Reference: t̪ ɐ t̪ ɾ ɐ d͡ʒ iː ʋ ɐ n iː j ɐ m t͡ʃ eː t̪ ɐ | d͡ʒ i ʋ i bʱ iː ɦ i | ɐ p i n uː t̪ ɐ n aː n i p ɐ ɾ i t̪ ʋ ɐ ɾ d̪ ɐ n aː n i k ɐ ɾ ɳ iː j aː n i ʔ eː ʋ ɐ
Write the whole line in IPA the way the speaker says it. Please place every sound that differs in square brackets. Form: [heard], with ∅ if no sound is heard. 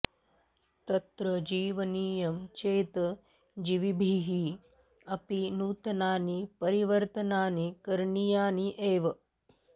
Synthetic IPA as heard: t̪ ɐ t̪ ɾ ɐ d͡ʒ iː ʋ ɐ n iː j ɐ m t͡ʃ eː t̪ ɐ | d͡ʒ i ʋ i bʱ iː ɦ i | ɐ p i n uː t̪ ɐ n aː n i p ɐ ɾ i [∅] ʋ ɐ ɾ [t̪] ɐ n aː n i k ɐ ɾ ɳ [i] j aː n i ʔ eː ʋ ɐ